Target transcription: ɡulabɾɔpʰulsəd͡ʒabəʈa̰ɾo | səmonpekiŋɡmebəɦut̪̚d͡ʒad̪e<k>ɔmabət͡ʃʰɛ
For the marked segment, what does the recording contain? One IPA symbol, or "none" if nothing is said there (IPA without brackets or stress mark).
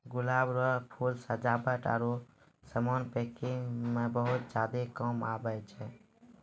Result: k